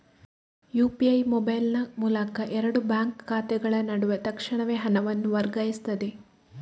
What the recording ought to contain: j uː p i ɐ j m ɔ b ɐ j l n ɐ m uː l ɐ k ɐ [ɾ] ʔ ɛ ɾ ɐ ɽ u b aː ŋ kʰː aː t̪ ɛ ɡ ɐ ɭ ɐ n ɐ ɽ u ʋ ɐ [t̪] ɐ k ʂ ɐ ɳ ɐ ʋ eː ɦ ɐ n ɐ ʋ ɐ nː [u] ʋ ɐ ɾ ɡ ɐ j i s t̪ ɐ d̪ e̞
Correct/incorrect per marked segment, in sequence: incorrect: none, correct, correct

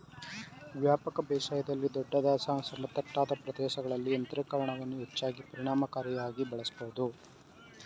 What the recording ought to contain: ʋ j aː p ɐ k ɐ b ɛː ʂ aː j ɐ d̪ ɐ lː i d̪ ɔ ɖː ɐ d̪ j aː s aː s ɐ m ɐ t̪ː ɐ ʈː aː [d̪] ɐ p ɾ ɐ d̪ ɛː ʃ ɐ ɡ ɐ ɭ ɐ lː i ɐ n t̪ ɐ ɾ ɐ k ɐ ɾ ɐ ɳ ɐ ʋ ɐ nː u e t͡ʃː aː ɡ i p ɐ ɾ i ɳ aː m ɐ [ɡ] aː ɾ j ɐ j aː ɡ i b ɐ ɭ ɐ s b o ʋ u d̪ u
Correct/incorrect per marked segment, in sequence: correct, incorrect: k

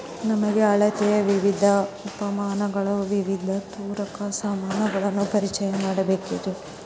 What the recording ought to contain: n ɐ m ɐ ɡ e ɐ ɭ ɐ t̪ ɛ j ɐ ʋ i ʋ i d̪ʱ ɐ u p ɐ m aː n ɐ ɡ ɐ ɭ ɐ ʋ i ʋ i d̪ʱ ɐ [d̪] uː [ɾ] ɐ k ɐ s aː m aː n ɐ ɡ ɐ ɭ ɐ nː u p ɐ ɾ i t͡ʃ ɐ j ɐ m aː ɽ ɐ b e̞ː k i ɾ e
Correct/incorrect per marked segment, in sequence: incorrect: t̪, correct

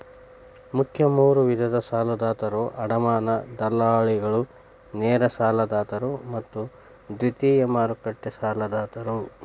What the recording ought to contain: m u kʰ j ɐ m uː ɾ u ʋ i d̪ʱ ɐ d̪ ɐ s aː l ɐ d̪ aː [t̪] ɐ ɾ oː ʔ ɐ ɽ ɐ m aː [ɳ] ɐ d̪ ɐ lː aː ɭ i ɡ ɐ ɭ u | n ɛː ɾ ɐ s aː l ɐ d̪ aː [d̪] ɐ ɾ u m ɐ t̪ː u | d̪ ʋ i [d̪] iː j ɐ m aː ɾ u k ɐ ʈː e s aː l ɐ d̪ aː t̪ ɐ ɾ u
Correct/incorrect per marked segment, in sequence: correct, incorrect: n, incorrect: t̪, incorrect: t̪

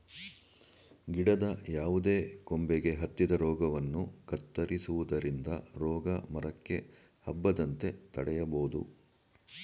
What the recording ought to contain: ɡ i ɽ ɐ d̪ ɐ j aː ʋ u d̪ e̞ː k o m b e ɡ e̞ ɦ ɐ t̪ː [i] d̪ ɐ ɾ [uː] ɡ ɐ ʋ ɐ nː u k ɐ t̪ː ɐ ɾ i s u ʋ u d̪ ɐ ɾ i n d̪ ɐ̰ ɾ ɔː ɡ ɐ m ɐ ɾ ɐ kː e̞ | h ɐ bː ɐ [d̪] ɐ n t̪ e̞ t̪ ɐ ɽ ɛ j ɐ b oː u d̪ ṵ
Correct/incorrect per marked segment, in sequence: correct, incorrect: ɔː, correct

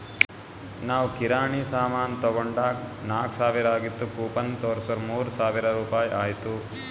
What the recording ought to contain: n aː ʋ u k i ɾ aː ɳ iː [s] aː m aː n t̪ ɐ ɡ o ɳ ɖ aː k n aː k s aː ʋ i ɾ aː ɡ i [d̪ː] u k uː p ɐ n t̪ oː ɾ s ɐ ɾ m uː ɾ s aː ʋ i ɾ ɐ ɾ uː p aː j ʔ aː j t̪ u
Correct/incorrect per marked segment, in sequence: correct, incorrect: t̪ː

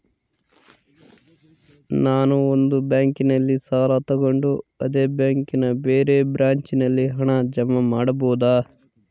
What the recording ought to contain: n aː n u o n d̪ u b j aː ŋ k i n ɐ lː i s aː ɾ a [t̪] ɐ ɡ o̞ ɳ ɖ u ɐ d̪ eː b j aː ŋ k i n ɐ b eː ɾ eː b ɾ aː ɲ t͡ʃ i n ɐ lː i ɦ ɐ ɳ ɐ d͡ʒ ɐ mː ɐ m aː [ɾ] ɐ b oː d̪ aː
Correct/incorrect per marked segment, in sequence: correct, incorrect: ɽ

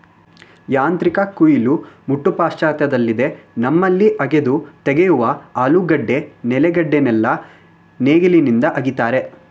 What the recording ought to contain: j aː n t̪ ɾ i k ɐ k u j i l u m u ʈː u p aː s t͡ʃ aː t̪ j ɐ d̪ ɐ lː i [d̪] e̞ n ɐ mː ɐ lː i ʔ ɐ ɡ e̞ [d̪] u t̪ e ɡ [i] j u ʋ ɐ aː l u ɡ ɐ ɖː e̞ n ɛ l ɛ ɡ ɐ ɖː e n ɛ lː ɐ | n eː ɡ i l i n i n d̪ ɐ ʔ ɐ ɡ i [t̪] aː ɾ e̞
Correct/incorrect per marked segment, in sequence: correct, correct, incorrect: e, correct

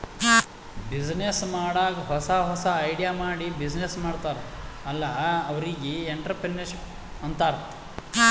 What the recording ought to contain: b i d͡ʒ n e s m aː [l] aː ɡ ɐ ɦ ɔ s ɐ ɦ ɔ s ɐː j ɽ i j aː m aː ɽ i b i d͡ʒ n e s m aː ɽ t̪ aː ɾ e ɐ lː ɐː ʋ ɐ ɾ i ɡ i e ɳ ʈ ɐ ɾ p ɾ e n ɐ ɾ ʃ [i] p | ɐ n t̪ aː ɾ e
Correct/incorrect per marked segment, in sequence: incorrect: ɽ, correct

